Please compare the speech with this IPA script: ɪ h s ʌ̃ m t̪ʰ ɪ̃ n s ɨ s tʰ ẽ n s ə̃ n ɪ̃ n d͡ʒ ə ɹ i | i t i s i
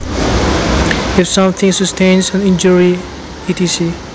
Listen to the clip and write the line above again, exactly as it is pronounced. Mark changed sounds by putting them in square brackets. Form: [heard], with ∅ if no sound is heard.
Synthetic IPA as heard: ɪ [f] s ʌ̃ m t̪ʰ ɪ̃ [ŋ] s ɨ s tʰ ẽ n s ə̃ n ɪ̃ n d͡ʒ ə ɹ i | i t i s i